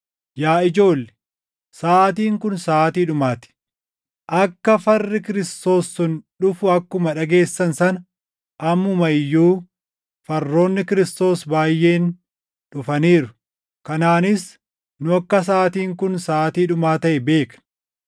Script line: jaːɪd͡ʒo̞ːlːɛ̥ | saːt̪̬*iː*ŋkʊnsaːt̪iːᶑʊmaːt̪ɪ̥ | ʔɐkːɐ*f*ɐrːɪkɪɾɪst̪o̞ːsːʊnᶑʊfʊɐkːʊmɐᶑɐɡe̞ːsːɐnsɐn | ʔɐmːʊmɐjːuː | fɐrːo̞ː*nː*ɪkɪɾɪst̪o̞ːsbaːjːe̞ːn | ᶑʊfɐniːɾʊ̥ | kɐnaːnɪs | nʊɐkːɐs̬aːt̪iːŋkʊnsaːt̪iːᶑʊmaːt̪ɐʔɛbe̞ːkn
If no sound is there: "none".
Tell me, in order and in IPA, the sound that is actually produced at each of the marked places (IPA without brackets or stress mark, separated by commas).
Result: iː, f, nː